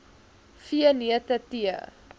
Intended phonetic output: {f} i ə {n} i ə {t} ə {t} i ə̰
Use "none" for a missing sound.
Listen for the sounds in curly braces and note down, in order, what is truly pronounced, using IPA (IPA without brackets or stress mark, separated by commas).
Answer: f, n, t, t